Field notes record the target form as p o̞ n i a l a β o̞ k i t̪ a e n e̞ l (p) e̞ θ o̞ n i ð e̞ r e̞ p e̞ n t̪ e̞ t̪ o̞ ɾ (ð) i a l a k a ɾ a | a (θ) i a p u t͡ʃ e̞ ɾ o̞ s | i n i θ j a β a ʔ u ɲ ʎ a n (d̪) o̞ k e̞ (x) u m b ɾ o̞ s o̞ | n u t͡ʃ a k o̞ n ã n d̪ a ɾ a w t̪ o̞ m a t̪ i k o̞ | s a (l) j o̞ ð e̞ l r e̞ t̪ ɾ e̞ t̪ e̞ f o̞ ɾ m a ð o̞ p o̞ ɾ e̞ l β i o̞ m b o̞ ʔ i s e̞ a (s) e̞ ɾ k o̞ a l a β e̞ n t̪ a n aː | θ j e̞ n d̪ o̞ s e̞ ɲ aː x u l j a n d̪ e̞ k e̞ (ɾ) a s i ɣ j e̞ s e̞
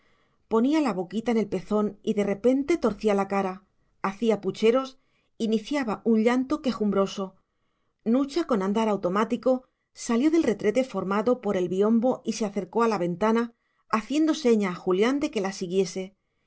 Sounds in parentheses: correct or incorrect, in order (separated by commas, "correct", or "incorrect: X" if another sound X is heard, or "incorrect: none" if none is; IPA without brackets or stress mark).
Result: correct, incorrect: θ, correct, incorrect: t̪, correct, correct, incorrect: θ, incorrect: l